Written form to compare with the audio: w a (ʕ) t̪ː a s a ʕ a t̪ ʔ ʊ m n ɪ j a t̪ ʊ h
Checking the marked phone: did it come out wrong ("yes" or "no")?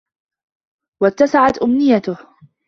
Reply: yes